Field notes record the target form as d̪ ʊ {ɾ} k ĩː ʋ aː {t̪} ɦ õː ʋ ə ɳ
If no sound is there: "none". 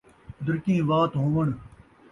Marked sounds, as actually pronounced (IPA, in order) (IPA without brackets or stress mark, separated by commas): ɾ, t̪